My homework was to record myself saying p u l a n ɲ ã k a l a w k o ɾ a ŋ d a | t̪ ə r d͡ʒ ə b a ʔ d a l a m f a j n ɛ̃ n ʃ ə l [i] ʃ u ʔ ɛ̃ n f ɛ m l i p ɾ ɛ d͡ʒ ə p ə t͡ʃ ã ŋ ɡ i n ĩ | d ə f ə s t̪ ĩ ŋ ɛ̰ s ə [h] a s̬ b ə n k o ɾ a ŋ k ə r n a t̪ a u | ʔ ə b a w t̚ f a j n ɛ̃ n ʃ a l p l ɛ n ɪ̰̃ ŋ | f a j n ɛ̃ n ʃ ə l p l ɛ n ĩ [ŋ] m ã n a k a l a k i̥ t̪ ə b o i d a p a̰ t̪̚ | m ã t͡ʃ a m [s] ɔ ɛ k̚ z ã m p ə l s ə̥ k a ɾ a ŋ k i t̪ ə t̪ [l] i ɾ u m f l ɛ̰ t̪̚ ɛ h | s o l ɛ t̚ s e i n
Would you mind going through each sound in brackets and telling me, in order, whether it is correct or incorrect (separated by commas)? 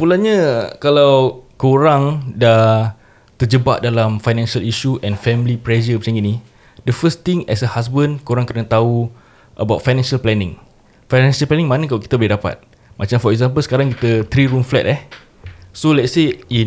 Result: correct, correct, correct, incorrect, incorrect